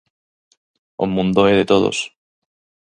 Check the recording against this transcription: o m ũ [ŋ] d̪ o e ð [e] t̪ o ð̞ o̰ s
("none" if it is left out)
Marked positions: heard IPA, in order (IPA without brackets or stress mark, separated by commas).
n, e